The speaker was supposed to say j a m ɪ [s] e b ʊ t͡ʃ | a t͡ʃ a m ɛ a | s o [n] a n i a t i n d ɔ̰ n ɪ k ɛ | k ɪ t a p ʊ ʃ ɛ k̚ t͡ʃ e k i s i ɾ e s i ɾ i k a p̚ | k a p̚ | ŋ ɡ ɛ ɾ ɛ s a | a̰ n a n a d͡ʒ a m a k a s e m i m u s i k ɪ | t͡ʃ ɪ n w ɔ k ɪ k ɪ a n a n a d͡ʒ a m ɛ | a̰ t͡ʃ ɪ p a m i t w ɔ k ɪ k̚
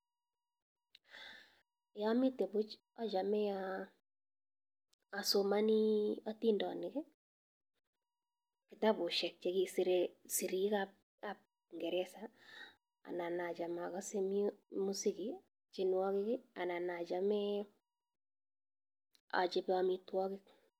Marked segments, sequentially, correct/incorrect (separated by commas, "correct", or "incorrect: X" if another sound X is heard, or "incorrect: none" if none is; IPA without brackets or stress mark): incorrect: t, incorrect: m